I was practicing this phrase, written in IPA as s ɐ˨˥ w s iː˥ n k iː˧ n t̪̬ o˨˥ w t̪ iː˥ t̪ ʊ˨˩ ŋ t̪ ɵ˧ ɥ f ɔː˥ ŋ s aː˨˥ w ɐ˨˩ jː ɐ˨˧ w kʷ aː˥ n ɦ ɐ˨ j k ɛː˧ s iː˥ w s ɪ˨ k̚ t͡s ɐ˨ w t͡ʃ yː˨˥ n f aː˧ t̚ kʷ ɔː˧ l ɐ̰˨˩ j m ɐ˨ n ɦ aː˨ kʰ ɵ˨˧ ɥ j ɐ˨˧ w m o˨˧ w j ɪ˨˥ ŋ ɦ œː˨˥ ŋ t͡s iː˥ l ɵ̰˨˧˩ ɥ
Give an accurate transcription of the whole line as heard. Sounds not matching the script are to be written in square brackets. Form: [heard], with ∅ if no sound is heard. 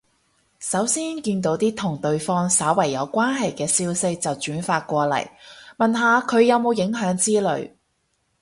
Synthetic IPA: s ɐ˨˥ w s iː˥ n k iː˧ n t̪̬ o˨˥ w t̪ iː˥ [t̪ʰ] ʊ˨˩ ŋ t̪ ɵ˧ ɥ f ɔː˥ ŋ s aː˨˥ w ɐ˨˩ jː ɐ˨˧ w kʷ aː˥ n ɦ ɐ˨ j k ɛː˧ s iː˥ w s [ɪ˥] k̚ t͡s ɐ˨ w t͡ʃ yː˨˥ n f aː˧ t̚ kʷ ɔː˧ l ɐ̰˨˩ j m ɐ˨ n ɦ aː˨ kʰ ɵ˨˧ ɥ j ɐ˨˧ w m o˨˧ w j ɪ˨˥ ŋ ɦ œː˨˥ ŋ t͡s iː˥ l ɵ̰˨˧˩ ɥ